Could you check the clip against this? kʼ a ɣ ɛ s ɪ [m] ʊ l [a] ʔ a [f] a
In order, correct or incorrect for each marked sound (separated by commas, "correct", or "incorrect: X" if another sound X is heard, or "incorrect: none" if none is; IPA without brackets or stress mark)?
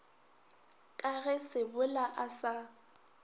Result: incorrect: b, correct, incorrect: s